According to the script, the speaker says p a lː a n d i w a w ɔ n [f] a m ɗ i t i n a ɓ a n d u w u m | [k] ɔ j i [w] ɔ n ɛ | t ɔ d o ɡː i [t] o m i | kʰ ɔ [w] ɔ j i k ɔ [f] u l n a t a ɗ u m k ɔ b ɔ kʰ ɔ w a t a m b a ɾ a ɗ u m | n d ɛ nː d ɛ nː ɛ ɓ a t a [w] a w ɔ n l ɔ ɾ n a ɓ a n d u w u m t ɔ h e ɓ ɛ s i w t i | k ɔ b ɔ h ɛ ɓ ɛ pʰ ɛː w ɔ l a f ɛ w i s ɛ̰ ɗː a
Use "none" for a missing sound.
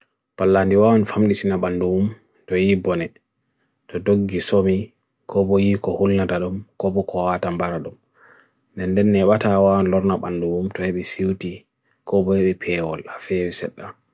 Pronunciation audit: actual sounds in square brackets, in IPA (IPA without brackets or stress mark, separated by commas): f, t, b, s, b, h, w